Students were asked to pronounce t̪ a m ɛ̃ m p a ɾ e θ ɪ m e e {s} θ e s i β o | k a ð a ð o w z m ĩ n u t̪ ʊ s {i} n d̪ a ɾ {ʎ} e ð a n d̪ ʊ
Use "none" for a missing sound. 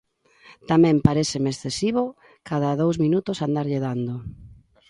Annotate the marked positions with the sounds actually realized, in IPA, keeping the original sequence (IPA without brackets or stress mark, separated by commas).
s, a, ʎ